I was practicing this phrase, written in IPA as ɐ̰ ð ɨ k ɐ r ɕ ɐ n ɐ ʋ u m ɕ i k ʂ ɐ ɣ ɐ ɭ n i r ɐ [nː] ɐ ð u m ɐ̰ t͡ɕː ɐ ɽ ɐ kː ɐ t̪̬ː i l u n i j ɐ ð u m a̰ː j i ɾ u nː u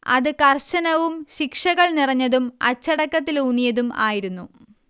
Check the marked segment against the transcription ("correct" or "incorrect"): incorrect